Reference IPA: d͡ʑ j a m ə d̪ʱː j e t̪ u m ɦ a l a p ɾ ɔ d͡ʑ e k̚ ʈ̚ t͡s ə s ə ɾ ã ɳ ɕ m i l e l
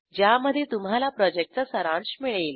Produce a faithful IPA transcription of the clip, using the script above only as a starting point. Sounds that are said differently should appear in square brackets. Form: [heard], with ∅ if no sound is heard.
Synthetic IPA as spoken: d͡ʑ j a m ə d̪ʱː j e t̪ u m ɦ a l a p ɾ ɔ d͡ʑ e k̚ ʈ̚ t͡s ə s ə ɾ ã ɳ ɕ m i [ɭ] e l

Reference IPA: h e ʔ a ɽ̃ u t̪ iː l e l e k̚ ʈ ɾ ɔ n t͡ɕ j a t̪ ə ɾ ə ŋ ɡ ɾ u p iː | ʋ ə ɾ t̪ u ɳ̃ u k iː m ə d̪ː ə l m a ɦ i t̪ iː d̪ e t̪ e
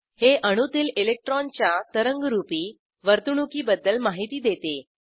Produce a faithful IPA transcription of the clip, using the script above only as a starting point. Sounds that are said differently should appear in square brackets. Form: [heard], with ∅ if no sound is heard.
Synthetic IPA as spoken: h e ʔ [ə] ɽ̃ u t̪ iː l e l e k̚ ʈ ɾ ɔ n t͡ɕ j a t̪ ə ɾ ə ŋ ɡ ɾ u p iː | ʋ ə ɾ t̪ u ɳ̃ u k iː [b] ə d̪ː ə l m a ɦ i t̪ iː d̪ e t̪ e

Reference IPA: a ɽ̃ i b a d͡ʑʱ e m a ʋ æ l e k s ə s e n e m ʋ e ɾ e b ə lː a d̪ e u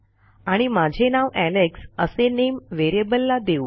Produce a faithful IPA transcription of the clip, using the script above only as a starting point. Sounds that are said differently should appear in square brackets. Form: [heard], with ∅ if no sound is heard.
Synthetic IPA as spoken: a ɽ̃ i [m] a d͡ʑʱ e [n] a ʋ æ l e k s ə s e n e m ʋ e ɾ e b ə lː a d̪ e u

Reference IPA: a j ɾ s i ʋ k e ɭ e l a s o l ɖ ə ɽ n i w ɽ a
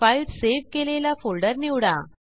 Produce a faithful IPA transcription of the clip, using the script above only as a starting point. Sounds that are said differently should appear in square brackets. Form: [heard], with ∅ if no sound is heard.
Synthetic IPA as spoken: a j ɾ s [e] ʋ k e [l] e l a [f] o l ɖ ə [ɾ] n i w ɽ a

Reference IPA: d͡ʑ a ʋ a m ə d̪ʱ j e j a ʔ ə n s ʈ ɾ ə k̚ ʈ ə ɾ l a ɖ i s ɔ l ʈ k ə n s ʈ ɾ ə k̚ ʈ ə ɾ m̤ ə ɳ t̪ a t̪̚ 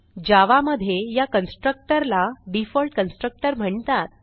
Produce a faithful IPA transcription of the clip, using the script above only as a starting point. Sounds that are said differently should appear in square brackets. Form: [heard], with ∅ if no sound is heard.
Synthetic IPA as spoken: d͡ʑ a ʋ a m ə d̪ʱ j e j a [k] ə n s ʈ ɾ ə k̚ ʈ ə ɾ l a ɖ i [f] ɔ l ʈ k ə n s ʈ ɾ ə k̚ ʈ ə ɾ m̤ ə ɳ t̪ a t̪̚

